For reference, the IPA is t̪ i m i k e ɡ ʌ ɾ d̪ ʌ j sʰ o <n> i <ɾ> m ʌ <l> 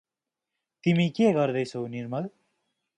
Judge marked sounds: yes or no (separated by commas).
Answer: yes, yes, yes